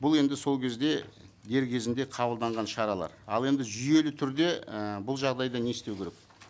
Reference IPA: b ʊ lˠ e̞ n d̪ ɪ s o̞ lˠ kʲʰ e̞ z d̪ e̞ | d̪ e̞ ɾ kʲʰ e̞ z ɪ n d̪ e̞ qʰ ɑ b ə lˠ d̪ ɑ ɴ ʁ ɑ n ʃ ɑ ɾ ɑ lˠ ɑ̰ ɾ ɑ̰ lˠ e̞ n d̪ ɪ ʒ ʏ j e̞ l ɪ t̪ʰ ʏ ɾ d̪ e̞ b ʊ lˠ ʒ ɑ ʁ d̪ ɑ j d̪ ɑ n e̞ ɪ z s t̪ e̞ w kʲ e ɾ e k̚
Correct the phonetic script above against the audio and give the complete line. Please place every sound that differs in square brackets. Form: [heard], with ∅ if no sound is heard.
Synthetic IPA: b ʊ lˠ e̞ n d̪ ɪ s o̞ lˠ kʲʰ e̞ z d̪ e̞ | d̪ e̞ ɾ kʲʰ e̞ z ɪ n d̪ e̞ qʰ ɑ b ə lˠ d̪ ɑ ɴ ʁ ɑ n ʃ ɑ ɾ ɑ lˠ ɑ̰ ɾ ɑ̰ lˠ e̞ n d̪ ɪ ʒ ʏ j e̞ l ɪ t̪ʰ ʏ ɾ d̪ e̞ b ʊ lˠ ʒ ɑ ʁ d̪ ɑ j d̪ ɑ n e̞ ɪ [∅] s t̪ e̞ w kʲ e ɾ e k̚